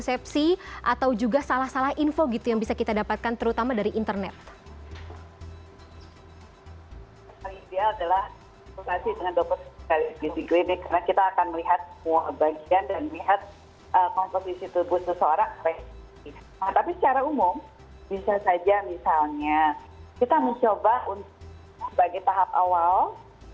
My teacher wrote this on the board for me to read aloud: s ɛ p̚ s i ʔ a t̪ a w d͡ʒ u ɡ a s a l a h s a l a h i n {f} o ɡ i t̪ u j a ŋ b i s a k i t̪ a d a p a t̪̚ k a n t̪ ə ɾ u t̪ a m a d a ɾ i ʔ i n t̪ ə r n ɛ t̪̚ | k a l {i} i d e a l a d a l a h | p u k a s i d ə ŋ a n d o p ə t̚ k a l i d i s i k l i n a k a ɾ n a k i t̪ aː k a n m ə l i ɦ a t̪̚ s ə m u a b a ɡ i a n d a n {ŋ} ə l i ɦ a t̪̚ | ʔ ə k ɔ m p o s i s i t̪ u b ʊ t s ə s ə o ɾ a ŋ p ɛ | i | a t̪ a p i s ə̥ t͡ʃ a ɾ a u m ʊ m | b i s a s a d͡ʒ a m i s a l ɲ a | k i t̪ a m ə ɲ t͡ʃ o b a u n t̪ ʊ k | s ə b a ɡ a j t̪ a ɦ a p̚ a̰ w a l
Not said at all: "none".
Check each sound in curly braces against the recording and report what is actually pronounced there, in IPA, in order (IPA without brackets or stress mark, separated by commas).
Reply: f, i, m